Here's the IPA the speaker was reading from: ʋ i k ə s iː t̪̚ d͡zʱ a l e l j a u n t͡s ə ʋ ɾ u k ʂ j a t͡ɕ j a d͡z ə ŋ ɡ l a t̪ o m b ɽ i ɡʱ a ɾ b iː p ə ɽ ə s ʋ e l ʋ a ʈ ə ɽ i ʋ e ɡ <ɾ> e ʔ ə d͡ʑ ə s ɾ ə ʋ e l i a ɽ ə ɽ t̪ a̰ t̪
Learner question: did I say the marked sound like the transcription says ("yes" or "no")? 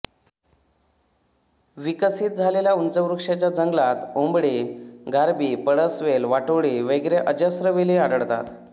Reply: yes